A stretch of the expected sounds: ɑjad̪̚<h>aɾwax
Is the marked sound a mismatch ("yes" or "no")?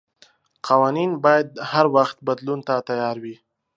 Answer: no